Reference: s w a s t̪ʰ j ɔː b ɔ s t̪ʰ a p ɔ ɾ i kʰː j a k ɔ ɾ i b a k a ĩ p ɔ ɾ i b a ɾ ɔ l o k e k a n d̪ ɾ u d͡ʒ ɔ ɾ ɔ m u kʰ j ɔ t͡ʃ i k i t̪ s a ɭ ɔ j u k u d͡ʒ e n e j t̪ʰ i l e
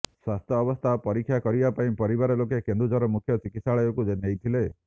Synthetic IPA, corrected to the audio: s w a s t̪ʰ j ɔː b ɔ s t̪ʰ a p ɔ ɾ i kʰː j a k ɔ ɾ i b a p a ĩ p ɔ ɾ i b a ɾ ɔ l o k e k e n d̪ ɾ u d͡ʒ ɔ ɾ ɔ m u kʰ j ɔ t͡ʃ i k i t̪ s a ɭ ɔ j ɔ k u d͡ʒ e n e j t̪ʰ i l e